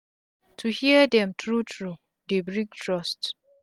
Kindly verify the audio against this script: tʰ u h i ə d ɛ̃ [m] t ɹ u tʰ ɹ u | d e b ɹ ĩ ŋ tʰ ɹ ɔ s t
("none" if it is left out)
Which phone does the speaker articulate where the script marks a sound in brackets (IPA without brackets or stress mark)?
m